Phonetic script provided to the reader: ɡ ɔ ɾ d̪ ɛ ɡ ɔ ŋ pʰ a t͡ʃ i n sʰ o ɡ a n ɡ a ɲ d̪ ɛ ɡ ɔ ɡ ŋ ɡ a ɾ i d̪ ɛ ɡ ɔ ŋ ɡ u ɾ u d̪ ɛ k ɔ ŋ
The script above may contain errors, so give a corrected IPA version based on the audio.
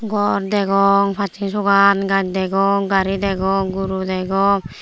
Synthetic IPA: ɡ ɔ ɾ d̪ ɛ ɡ ɔ ŋ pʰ a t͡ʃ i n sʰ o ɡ a n ɡ a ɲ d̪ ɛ ɡ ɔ ŋ ɡ a ɾ i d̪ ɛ ɡ ɔ ŋ ɡ u ɾ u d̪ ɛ ɡ ɔ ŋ